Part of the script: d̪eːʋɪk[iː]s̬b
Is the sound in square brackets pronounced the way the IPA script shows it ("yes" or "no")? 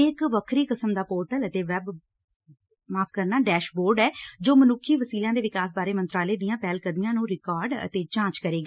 no